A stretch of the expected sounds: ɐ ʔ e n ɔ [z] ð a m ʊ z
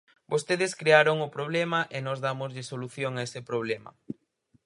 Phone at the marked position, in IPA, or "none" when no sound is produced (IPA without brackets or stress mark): z